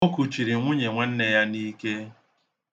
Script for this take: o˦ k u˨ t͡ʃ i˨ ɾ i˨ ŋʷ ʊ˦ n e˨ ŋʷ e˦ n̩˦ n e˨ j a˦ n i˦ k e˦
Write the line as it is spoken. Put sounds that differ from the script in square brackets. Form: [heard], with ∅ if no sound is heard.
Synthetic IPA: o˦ k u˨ t͡ʃ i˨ ɾ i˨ ŋʷ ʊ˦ [ɲ] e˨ ŋʷ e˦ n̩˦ n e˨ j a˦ n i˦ k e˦